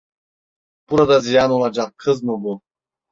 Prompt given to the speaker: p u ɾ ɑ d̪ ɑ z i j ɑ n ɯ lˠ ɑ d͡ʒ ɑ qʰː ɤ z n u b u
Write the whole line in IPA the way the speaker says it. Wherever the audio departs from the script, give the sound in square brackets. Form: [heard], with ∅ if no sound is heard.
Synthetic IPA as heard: p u ɾ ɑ d̪ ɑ z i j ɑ n [u] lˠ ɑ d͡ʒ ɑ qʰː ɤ z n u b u